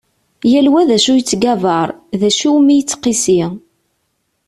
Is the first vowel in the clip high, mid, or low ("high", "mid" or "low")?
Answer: low